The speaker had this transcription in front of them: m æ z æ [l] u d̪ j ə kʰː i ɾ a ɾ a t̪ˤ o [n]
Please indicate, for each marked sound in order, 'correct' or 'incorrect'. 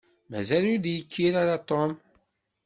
correct, incorrect

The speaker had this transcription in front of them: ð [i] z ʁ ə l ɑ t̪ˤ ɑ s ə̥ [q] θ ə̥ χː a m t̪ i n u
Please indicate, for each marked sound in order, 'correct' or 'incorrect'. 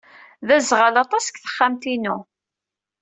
incorrect, incorrect

